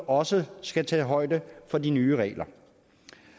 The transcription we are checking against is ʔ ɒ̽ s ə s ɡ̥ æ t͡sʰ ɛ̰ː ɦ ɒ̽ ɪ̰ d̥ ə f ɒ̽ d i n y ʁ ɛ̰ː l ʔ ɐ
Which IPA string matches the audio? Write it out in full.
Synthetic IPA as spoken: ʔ ɒ̽ s ə s ɡ̥ æ t͡sʰ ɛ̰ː ɦ ɒ̽ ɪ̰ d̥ ə f ɒ̽ d i n yː ʁ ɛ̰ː l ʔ ɐ